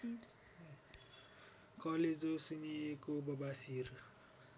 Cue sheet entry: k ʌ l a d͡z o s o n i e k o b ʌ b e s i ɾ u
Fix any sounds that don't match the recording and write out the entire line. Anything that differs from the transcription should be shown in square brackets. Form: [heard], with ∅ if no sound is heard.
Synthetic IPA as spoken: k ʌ l [e] d͡z o s [u] n i e k o b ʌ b [a] s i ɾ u